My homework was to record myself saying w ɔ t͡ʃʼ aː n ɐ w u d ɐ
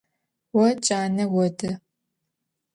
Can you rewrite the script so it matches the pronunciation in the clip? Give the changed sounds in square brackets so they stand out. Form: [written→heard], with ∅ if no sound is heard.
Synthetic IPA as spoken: w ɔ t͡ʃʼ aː n ɐ w [u→ɔ] d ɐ